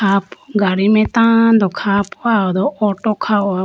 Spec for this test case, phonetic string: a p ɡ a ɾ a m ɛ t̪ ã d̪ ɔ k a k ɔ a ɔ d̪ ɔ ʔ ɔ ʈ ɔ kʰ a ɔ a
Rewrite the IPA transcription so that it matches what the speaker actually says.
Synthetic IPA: a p ɡ a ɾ i m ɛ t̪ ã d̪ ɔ kʰ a p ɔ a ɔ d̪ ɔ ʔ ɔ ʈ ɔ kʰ a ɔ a